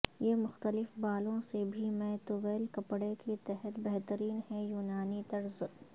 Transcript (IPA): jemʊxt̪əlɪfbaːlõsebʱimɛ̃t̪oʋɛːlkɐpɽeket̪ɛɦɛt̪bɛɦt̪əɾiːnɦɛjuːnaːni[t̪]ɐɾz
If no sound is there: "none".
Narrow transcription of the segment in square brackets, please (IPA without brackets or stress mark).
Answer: t̪